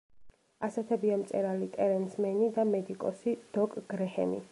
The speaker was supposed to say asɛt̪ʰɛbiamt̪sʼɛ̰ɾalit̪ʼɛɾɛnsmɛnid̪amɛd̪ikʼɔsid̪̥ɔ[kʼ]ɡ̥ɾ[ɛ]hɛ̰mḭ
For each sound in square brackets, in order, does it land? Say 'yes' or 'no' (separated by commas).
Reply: yes, yes